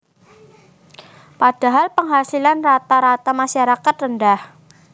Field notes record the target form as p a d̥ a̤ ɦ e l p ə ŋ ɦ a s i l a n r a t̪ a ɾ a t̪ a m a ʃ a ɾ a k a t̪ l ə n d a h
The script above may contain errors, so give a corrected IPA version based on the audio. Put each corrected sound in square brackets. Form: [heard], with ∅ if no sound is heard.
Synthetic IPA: p a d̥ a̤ ɦ [a] l p ə ŋ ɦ a s i l a n r a t̪ a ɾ a t̪ a m a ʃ a ɾ a k a t̪ [r] ə n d a h